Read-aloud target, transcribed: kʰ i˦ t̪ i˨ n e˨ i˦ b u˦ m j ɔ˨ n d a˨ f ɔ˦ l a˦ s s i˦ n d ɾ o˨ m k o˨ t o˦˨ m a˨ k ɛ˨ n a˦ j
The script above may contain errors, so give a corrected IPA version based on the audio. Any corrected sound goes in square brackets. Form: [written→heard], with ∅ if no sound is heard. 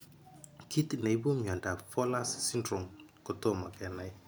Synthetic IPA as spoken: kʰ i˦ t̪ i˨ n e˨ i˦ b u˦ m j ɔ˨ n d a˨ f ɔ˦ l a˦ s s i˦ n d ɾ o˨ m k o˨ t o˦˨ m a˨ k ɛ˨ n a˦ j